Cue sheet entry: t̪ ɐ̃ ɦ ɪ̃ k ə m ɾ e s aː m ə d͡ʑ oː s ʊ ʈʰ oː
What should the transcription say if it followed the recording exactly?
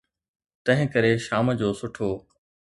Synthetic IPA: t̪ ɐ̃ ɦ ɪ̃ k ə ɾ e ʃ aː m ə d͡ʑ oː s ʊ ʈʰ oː